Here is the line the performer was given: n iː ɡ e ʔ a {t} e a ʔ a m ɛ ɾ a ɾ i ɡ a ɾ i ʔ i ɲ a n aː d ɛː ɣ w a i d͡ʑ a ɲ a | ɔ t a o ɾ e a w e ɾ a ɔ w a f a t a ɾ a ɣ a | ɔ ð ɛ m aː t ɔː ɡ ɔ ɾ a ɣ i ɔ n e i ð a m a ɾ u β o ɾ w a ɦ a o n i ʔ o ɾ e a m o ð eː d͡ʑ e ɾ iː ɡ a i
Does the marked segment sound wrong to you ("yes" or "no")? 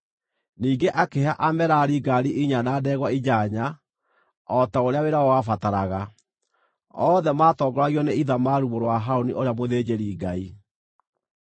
yes